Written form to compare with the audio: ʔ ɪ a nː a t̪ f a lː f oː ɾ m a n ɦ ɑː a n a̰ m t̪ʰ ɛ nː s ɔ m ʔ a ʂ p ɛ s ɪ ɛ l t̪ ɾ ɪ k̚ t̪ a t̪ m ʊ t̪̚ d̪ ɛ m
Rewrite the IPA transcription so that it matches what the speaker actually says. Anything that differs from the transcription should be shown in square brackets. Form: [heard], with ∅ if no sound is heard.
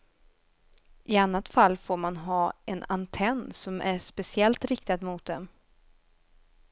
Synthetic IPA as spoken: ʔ ɪ a nː a t̪ f a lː f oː ɾ m a n ɦ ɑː [ɛ] n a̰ [n] t̪ʰ ɛ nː s ɔ m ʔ [æ] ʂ p ɛ s ɪ ɛ l t̪ ɾ ɪ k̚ t̪ a [d̪] m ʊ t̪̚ d̪ ɛ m